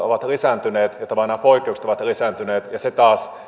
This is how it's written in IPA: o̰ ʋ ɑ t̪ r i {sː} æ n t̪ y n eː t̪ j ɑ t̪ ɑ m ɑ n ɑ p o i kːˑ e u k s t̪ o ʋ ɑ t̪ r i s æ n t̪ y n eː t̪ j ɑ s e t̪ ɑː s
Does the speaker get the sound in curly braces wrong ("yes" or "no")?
yes